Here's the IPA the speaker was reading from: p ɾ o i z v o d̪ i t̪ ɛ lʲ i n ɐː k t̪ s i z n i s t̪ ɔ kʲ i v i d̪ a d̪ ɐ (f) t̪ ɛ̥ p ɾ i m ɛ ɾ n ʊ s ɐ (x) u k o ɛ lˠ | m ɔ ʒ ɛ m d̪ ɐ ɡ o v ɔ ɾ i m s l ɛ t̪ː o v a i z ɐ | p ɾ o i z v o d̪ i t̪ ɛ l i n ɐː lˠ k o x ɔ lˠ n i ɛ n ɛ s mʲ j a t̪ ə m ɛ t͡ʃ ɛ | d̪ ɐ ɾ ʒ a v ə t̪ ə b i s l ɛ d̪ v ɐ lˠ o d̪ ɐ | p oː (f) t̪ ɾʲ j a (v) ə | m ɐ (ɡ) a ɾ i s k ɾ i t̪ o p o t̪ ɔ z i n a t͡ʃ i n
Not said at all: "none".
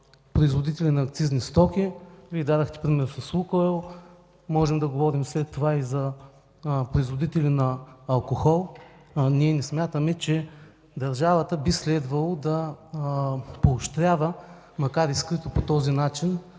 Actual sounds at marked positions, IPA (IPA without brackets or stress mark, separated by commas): x, s, ʃ, v, k